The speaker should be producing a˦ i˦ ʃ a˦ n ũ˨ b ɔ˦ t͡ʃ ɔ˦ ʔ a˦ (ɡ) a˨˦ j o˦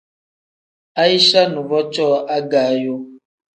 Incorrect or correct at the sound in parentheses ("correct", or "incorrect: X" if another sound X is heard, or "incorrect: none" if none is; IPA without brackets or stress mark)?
correct